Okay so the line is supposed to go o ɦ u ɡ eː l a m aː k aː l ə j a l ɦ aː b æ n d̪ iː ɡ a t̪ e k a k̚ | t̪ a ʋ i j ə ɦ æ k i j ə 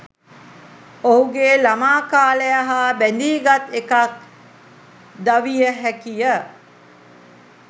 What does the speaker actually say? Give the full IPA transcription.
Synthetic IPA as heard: o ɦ u ɡ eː l a m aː k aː l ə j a ɦ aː b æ n d̪ iː ɡ a t̪ e k a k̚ | d̪ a ʋ i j ə ɦ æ k i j ə